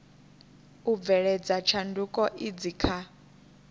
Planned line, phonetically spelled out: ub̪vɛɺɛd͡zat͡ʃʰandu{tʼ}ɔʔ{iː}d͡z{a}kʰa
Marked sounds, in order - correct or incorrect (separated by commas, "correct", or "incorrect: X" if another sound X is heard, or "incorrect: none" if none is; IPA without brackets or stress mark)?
incorrect: kʼ, incorrect: i, incorrect: i